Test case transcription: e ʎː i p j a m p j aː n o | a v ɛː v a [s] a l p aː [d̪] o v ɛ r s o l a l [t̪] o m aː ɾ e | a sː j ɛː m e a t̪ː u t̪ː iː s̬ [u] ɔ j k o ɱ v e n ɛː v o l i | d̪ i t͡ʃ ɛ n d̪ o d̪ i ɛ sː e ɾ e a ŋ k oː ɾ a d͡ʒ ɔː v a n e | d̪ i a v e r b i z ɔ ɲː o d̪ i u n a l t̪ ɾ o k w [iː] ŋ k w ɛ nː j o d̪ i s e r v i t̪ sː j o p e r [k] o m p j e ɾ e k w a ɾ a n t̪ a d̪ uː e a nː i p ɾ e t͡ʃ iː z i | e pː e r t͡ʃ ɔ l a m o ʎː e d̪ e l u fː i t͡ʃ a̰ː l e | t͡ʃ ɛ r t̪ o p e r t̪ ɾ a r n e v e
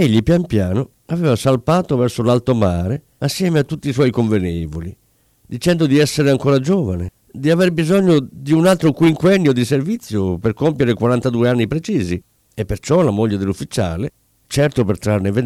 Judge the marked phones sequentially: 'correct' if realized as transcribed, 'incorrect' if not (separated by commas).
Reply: correct, incorrect, correct, incorrect, incorrect, correct